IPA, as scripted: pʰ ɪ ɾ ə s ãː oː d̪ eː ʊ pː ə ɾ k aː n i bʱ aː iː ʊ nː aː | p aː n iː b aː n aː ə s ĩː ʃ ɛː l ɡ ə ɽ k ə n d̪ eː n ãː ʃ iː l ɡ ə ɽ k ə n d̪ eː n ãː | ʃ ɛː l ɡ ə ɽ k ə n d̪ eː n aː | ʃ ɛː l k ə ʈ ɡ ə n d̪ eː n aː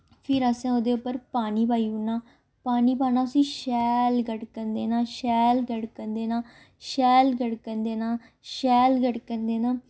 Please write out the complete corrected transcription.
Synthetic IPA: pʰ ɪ ɾ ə s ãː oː d̪ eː ʊ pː ə ɾ p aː n iː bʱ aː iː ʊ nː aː | p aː n iː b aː n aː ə s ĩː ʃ ɛː l ɡ ə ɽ k ə n d̪ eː n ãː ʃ ɛː l ɡ ə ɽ k ə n d̪ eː n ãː | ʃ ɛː l ɡ ə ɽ k ə n d̪ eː n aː | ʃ ɛː l ɡ ə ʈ k ə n d̪ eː n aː